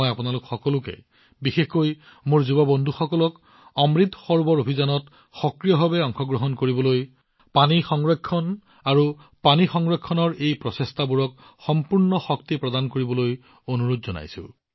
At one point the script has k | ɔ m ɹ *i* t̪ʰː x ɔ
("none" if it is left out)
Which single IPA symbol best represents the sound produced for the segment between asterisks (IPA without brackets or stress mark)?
i